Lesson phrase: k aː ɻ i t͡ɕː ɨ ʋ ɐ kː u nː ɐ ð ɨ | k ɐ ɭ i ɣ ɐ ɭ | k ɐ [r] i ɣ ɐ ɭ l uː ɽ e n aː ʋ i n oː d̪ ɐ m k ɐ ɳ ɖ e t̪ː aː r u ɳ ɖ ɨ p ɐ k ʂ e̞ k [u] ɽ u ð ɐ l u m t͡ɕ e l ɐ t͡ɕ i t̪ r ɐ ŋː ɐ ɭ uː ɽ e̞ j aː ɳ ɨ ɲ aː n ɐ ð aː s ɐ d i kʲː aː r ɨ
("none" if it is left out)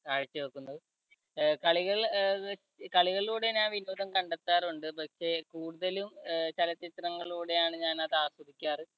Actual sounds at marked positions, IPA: ɭ, uː

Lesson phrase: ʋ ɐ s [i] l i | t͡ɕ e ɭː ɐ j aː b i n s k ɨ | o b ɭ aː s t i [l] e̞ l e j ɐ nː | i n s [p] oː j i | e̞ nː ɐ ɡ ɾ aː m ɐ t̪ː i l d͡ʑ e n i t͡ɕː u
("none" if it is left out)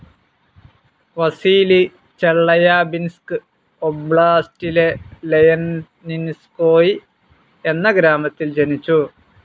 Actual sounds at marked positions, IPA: iː, l, k

